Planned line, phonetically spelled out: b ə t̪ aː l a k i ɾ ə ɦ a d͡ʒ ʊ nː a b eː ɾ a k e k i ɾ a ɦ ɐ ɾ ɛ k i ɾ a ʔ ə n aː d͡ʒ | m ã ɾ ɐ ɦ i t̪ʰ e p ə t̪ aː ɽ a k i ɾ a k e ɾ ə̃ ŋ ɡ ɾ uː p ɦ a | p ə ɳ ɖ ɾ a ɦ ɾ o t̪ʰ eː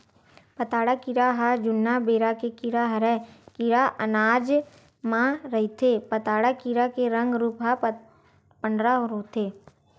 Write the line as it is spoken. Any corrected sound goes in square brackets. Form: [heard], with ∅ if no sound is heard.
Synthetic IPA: [p] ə t̪ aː [ɽ] a k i ɾ [a] ɦ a d͡ʒ ʊ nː a b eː ɾ a k e k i ɾ a ɦ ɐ ɾ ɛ k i ɾ a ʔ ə n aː d͡ʒ | m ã ɾ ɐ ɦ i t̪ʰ e p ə t̪ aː ɽ a k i ɾ a k e ɾ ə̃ ŋ ɡ ɾ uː p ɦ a | p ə ɳ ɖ ɾ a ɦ ɾ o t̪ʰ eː